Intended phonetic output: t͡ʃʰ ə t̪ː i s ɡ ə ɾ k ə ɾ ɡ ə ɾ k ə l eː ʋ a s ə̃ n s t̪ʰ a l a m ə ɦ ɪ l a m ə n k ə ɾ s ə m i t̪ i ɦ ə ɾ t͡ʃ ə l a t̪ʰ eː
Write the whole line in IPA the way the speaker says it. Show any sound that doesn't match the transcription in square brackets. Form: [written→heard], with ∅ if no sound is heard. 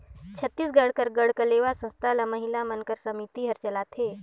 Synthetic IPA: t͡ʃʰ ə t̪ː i s ɡ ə [ɾ→ɽ] k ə ɾ ɡ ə [ɾ→ɽ] k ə l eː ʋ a s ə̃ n s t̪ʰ a l a m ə ɦ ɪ l a m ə n k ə ɾ s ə m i t̪ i ɦ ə ɾ t͡ʃ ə l a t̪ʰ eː